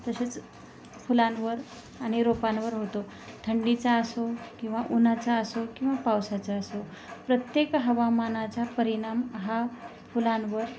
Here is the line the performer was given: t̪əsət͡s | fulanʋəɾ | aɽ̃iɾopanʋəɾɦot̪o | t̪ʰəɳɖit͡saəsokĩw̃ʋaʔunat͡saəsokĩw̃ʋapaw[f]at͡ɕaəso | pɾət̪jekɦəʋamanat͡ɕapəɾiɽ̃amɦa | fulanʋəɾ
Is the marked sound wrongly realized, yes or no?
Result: yes